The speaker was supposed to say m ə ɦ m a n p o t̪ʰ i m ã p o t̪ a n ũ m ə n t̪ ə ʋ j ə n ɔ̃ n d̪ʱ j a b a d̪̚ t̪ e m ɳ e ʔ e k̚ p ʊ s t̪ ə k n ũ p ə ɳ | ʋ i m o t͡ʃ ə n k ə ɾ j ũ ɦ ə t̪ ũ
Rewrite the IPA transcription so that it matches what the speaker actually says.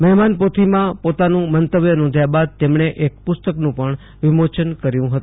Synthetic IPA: m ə ɦ m a n p o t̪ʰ i m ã p o t̪ a n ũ m ə n t̪ ə ʋ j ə n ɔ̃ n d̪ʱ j a b a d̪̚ t̪ e m ɳ e ʔ e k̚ p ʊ s t̪ ə k n ũ p ə ɳ | ʋ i m o t͡ʃ ə n k ə ɾ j ũ ɦ ə t̪ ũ